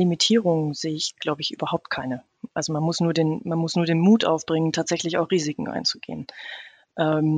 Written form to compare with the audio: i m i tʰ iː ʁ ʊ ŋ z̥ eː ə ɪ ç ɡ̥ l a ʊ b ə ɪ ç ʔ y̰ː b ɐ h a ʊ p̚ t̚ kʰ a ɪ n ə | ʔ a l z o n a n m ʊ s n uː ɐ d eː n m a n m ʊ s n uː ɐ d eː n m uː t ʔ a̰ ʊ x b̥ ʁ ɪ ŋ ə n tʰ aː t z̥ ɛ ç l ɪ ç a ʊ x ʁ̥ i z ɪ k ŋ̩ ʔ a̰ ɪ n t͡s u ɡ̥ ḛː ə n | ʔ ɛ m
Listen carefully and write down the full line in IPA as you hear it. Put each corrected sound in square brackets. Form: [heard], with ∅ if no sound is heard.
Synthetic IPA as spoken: i m i tʰ iː ʁ ʊ ŋ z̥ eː ə ɪ ç ɡ̥ l a ʊ b ə ɪ ç ʔ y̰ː b ɐ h a ʊ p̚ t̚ kʰ a ɪ n ə | ʔ a l z o [m] a n m ʊ s n uː ɐ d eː n m a n m ʊ s n uː ɐ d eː n m uː t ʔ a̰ ʊ [f] b̥ ʁ ɪ ŋ ə n tʰ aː t z̥ ɛ ç l ɪ ç a ʊ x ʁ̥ [iː] z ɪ k ŋ̩ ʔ a̰ ɪ n t͡s u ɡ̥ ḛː ə n | ʔ ɛ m